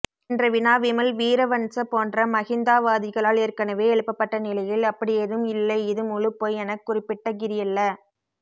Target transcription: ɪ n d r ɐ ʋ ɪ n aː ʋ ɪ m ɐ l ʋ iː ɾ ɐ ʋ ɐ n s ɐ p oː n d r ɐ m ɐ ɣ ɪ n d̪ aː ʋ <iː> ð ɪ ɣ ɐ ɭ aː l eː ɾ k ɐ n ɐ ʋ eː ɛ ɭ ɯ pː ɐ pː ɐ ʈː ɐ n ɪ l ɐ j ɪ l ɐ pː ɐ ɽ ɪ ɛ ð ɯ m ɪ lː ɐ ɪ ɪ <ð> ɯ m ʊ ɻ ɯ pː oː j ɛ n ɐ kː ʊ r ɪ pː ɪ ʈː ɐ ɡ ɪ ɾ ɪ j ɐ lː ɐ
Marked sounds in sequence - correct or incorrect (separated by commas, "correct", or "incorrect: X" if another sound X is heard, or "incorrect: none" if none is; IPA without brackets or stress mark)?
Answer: incorrect: aː, correct